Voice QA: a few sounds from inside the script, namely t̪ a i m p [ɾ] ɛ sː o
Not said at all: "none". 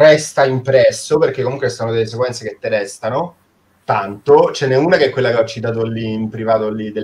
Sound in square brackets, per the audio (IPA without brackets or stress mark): ɾ